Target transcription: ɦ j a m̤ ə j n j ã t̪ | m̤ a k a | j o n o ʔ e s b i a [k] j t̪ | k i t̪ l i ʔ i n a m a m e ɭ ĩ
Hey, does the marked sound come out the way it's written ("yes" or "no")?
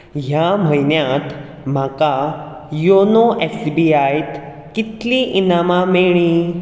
no